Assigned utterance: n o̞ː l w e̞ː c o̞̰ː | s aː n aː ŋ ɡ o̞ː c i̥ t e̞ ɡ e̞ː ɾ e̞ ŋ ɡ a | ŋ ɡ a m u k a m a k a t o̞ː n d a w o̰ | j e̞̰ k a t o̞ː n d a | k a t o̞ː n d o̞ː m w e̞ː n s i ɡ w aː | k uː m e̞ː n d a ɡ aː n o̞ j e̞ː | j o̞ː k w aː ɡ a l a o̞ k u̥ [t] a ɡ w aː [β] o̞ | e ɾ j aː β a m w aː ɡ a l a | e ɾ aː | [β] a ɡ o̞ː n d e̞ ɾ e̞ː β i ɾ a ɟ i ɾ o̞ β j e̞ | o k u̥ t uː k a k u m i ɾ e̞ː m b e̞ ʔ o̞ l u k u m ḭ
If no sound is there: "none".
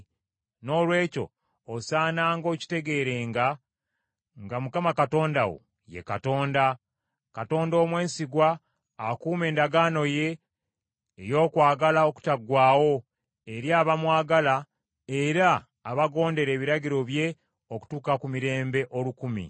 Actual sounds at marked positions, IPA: t, w, β

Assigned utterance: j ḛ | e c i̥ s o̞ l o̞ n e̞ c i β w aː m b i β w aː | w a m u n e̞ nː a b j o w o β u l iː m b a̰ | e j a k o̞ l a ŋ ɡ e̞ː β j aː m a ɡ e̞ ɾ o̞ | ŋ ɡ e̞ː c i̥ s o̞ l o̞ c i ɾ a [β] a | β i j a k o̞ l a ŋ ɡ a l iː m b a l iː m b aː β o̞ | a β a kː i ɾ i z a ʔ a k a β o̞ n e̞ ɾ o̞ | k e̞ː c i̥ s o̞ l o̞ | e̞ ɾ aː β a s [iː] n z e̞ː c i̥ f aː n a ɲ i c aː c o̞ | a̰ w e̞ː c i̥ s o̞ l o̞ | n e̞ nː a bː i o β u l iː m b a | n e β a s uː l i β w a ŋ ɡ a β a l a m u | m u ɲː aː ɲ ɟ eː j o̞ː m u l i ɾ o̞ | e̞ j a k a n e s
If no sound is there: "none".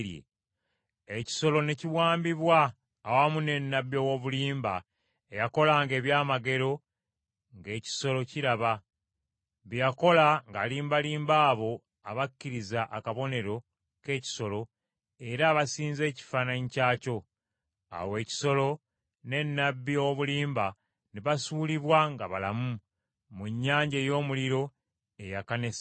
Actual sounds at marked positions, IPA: β, iː

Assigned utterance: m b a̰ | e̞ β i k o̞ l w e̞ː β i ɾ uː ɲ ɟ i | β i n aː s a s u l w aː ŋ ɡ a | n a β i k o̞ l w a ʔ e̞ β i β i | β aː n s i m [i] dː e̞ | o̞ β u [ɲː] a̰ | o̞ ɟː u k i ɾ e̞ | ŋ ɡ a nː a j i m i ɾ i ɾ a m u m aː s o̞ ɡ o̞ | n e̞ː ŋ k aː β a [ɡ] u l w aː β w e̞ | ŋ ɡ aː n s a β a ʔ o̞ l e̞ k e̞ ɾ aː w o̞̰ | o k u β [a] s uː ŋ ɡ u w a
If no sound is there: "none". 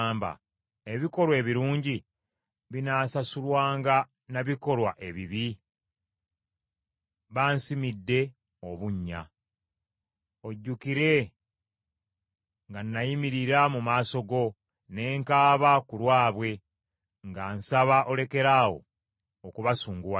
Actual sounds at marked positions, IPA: i, ɲː, k, a

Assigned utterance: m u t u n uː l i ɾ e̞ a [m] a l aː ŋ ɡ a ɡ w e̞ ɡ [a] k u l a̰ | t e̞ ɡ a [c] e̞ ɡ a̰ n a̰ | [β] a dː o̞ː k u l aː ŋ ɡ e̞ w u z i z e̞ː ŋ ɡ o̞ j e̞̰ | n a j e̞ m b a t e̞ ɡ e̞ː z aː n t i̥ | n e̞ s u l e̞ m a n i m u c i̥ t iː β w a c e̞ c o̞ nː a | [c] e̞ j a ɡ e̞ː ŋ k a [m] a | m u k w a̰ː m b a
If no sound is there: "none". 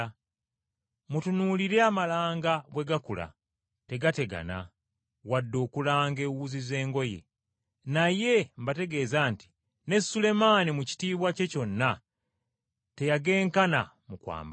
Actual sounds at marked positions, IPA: m, a, t, w, t, n

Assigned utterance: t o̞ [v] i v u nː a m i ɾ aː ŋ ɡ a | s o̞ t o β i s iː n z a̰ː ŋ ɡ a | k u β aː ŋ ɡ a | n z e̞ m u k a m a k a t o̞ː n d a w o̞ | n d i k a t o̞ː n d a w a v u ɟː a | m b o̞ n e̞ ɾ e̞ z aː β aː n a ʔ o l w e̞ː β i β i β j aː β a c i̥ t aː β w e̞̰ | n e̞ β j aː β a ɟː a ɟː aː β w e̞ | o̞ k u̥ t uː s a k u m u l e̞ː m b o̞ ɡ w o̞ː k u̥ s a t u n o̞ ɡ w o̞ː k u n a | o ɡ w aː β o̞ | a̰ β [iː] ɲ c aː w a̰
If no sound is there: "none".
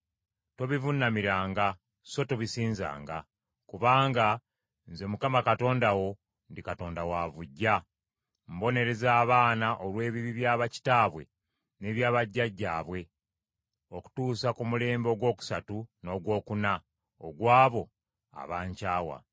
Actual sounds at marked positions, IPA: β, aː

